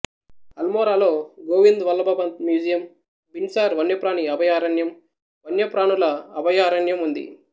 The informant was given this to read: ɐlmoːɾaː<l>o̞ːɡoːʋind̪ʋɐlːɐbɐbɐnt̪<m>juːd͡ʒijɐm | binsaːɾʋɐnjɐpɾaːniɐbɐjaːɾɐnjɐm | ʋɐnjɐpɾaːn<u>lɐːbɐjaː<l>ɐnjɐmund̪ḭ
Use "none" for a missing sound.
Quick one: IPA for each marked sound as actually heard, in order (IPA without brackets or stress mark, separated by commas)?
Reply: l, m, u, ɾ